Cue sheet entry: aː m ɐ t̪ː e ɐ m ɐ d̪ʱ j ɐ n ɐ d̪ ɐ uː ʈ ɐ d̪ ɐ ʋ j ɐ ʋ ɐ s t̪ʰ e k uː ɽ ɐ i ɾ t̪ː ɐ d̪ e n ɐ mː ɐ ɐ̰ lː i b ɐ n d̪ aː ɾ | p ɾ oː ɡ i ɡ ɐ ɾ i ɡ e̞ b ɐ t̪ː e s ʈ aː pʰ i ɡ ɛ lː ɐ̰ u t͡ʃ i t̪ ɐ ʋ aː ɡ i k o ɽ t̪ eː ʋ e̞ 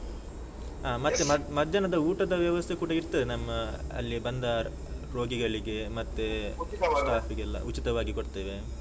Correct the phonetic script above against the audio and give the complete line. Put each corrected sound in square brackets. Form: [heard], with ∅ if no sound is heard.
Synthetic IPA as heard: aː m ɐ t̪ː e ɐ m ɐ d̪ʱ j ɐ n ɐ d̪ ɐ uː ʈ ɐ d̪ ɐ ʋ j ɐ ʋ ɐ s t̪ʰ e k uː ɽ ɐ i ɾ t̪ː ɐ d̪ e n ɐ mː ɐ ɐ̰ lː i b ɐ n d̪ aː ɾ | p ɾ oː ɡ i ɡ ɐ [ɭ] i ɡ e̞ [m] ɐ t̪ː e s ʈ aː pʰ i ɡ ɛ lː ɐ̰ u t͡ʃ i t̪ ɐ ʋ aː ɡ i k o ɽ t̪ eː ʋ e̞

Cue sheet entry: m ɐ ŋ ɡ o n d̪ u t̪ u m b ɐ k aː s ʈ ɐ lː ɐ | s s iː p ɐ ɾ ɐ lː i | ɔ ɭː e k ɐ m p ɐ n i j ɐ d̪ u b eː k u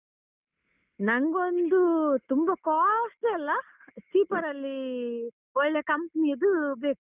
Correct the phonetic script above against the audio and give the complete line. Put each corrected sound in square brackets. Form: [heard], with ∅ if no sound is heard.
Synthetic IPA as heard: [n] ɐ ŋ ɡ o n d̪ u t̪ u m b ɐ k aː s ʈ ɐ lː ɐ | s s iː p ɐ ɾ ɐ lː i | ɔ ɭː e k ɐ m p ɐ n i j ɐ d̪ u b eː k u

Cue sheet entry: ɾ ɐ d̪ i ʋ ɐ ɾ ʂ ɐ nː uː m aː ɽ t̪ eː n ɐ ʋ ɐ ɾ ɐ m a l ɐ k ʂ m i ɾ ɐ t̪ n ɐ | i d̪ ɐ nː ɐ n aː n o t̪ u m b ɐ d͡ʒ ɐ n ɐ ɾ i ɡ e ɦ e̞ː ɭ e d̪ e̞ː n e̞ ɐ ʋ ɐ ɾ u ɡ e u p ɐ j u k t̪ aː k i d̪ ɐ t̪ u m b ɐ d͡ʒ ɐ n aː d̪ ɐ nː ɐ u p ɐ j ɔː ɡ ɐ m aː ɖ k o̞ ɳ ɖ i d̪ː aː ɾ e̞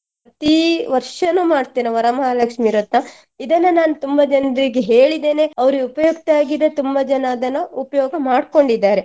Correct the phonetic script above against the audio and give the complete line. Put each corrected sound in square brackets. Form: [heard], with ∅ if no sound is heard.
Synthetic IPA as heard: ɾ ɐ [t̪] i ʋ ɐ ɾ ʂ ɐ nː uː m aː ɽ t̪ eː n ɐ ʋ ɐ ɾ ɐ m a l ɐ k ʂ m i ɾ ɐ t̪ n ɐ | i d̪ ɐ nː ɐ n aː n [u] t̪ u m b ɐ d͡ʒ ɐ n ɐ ɾ i ɡ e ɦ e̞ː ɭ [i] d̪ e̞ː n e̞ ɐ ʋ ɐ ɾ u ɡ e u p ɐ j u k t̪ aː [ɡ] i d̪ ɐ t̪ u m b ɐ d͡ʒ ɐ n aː d̪ ɐ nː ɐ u p ɐ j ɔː ɡ ɐ m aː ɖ k o̞ ɳ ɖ i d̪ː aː ɾ e̞

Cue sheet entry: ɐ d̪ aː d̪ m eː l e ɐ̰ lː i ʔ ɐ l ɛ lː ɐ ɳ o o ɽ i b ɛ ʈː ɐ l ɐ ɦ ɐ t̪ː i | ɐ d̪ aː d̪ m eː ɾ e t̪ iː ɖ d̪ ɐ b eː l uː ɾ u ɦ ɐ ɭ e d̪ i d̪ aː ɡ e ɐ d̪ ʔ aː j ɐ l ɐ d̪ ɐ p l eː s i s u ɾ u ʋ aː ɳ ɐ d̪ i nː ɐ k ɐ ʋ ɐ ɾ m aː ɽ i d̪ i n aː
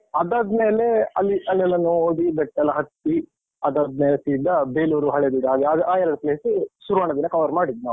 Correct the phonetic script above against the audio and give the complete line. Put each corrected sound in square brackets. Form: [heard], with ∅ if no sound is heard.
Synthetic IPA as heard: ɐ d̪ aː d̪ m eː l e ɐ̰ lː i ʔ ɐ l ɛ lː ɐ [n] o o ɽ i b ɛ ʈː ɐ l ɐ ɦ ɐ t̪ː i | ɐ d̪ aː d̪ m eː [l] e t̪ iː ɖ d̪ ɐ b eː l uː ɾ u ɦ ɐ ɭ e d̪ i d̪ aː ɡ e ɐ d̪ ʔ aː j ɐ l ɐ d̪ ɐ p l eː s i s u ɾ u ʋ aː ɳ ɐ d̪ i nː ɐ k ɐ ʋ ɐ ɾ m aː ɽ i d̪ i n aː

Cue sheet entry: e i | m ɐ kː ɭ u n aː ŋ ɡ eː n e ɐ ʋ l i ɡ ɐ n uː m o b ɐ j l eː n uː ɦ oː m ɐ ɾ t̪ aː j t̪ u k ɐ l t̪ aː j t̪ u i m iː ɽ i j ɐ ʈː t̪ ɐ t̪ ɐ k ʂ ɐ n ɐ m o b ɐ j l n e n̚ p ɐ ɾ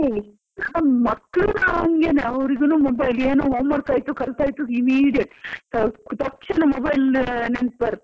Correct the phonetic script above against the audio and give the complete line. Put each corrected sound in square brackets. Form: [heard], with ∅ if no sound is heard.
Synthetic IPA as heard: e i | m ɐ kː ɭ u n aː ŋ ɡ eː n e ɐ ʋ [ɾ] i ɡ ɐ n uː m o b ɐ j l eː n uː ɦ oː m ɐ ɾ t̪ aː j t̪ u k ɐ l t̪ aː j t̪ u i m iː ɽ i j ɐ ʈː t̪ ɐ t̪ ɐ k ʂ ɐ n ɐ m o b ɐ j l n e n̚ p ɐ ɾ

